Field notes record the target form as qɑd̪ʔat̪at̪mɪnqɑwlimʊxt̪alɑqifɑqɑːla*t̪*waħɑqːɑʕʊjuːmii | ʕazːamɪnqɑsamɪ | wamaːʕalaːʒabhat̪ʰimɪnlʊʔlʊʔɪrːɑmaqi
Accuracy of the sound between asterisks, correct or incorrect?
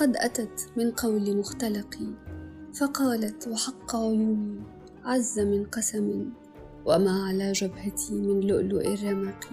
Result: correct